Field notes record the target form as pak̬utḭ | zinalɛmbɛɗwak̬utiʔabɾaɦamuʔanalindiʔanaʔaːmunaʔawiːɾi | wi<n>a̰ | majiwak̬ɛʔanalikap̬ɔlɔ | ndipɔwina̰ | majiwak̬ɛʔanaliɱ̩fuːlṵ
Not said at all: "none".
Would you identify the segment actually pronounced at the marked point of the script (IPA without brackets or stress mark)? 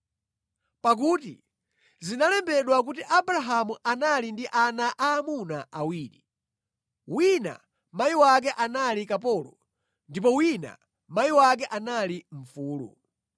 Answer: n